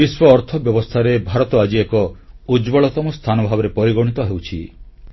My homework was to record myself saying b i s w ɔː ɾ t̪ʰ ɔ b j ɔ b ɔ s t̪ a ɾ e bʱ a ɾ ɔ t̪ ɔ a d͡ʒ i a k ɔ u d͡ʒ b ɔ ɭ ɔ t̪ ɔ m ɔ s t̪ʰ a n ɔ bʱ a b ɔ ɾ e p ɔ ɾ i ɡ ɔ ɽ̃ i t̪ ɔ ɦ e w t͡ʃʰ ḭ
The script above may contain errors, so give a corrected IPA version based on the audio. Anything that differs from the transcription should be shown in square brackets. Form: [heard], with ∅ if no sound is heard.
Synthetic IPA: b i s w ɔː ɾ t̪ʰ ɔ b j ɔ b ɔ s [t̪ʰ] a ɾ e bʱ a ɾ ɔ t̪ ɔ a d͡ʒ i [e] k ɔ u d͡ʒ b ɔ ɭ ɔ t̪ ɔ m ɔ s t̪ʰ a n ɔ bʱ a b ɔ ɾ e p ɔ ɾ i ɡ ɔ ɽ̃ i t̪ ɔ ɦ e w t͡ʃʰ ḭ